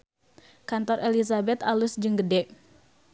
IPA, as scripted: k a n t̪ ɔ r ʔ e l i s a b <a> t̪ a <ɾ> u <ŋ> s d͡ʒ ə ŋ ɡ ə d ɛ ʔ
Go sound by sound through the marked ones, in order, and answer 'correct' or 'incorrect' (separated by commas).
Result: incorrect, incorrect, incorrect